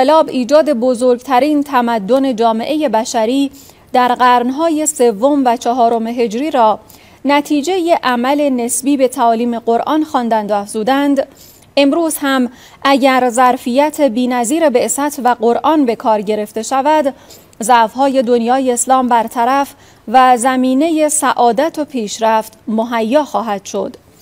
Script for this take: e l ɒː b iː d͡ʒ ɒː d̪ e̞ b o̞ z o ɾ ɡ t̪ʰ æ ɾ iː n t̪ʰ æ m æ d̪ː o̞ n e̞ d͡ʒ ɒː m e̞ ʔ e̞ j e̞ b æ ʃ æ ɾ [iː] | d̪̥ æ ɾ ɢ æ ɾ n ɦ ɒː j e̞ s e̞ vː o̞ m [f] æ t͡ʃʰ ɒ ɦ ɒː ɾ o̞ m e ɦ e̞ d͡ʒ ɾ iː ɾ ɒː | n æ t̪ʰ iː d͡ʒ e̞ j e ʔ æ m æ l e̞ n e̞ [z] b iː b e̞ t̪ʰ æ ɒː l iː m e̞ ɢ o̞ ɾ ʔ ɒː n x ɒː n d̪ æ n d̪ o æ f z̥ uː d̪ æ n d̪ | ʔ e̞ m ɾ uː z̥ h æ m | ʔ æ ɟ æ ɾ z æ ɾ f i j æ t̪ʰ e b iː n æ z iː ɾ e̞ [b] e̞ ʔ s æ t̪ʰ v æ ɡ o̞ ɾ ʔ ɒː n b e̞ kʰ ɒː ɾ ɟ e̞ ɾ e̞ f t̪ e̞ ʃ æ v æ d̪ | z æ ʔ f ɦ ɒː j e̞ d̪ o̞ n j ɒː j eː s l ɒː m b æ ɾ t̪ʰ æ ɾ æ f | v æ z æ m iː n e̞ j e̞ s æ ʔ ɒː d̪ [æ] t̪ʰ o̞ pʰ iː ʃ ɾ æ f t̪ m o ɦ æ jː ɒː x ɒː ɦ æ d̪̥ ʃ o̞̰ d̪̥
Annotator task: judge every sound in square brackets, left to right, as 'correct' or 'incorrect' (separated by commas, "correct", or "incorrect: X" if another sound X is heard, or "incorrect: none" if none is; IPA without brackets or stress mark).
correct, incorrect: v, incorrect: s, correct, correct